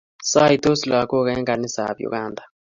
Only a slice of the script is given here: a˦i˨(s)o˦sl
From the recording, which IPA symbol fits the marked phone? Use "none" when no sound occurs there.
t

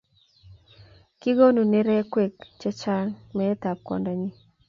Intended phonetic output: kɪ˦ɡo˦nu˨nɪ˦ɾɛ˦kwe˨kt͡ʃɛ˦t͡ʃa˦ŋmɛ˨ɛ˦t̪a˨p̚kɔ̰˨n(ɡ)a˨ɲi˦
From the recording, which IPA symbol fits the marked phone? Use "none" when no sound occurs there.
d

